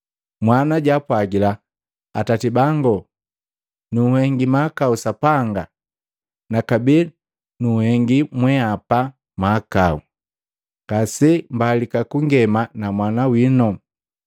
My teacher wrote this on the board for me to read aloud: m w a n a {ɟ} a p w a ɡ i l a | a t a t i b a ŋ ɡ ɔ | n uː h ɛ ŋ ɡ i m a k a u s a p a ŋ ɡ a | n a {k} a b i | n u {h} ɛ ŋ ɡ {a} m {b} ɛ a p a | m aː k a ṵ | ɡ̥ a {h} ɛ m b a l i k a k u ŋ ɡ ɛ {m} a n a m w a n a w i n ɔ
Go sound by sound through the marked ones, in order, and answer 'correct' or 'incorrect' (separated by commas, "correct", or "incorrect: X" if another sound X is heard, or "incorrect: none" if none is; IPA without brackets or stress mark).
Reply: correct, correct, correct, incorrect: i, incorrect: w, incorrect: s, correct